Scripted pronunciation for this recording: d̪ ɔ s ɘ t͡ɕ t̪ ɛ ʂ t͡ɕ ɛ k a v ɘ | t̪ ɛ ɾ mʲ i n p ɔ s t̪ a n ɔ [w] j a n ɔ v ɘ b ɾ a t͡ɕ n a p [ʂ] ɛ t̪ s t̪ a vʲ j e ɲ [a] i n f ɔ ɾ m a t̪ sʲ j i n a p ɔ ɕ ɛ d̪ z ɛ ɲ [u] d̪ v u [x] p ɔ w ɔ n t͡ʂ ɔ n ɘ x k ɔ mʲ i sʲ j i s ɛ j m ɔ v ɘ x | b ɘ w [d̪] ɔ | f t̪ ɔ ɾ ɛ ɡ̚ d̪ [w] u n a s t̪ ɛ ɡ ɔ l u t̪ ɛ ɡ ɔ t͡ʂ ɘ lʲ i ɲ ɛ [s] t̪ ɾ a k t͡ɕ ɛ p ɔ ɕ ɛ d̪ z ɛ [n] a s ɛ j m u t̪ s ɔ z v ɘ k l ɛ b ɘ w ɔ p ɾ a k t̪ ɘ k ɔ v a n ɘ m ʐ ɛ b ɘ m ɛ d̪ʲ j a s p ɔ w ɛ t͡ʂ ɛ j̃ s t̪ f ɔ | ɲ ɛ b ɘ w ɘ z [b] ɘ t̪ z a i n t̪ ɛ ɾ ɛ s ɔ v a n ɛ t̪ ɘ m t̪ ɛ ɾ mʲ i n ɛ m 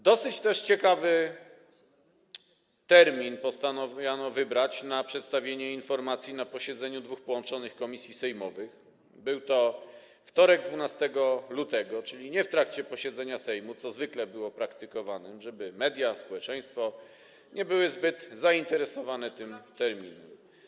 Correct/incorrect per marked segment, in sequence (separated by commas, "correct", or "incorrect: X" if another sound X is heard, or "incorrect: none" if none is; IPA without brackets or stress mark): incorrect: v, correct, incorrect: ɛ, correct, correct, incorrect: t̪, incorrect: v, incorrect: f, incorrect: ɲ, correct